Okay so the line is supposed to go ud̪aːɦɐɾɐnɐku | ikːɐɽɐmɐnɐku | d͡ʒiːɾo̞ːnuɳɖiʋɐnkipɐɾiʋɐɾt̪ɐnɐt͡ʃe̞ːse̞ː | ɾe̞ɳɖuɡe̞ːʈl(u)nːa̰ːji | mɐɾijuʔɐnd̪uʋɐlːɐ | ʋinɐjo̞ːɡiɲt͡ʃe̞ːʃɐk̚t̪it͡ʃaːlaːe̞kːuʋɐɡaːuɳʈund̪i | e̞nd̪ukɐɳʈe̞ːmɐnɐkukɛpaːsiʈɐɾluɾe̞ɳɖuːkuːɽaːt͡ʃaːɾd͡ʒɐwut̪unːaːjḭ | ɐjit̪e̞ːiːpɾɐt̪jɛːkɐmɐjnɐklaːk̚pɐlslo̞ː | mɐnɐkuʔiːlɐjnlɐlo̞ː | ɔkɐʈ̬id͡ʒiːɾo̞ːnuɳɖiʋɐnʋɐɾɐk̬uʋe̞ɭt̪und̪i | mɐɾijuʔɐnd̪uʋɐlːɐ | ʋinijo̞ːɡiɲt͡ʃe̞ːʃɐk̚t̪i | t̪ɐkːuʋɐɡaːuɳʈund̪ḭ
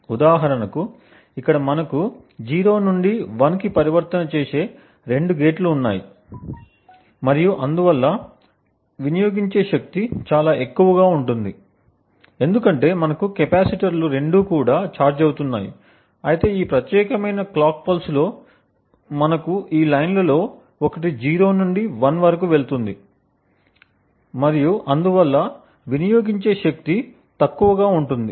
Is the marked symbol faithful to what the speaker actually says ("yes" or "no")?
no